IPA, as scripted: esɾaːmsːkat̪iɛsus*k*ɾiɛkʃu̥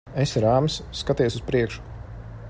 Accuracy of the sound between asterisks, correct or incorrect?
incorrect